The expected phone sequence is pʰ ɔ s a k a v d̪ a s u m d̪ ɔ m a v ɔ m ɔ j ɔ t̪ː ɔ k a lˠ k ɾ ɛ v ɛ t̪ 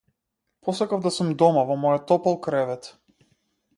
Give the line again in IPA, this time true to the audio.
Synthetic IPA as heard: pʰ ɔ s a k a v d̪ a s u m d̪ ɔ m a v ɔ m ɔ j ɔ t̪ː ɔ p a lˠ k ɾ ɛ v ɛ t̪